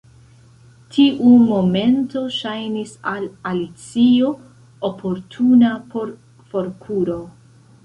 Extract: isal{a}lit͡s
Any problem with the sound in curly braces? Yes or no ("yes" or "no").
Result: no